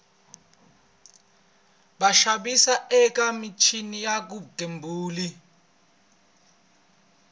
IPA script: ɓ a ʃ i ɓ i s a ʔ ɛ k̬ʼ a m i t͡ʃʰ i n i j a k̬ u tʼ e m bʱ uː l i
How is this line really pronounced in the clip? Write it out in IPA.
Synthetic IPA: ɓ a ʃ a ɓ i s a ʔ ɛ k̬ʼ a m i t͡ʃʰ i n i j a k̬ u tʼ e m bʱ uː l i